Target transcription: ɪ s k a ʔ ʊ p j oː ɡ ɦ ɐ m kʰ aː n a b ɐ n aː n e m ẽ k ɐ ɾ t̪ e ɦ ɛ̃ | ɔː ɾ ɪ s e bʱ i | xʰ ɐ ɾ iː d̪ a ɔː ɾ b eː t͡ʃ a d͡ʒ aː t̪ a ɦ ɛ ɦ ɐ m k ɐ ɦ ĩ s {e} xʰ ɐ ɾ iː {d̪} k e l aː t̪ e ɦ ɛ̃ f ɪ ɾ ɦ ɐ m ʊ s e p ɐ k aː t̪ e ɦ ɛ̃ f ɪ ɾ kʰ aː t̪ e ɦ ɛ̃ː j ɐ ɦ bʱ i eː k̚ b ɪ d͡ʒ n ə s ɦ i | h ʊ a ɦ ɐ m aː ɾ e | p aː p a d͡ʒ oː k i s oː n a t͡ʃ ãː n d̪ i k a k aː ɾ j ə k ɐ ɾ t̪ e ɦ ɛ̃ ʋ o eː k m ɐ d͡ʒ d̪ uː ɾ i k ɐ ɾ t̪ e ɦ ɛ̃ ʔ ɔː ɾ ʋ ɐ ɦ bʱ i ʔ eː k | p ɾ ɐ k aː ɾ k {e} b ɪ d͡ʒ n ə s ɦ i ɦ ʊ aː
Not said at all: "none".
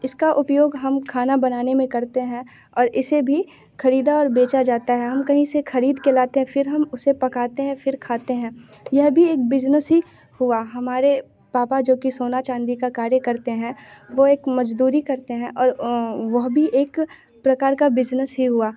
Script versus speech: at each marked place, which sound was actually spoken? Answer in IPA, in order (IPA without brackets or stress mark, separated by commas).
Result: e, d̪, a